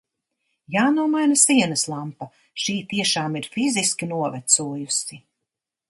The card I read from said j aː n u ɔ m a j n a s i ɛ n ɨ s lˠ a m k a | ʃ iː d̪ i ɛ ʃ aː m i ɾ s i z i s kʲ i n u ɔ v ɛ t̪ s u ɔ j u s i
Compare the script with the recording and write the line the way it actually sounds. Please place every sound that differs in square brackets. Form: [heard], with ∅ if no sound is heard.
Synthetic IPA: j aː n u ɔ m a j n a s i ɛ n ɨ s lˠ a m [p] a | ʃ iː [t̪] i ɛ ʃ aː m i ɾ [f] i z i s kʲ i n u ɔ v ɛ t̪ s u ɔ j u s i